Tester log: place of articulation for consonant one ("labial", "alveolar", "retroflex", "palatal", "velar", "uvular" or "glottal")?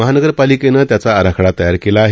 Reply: glottal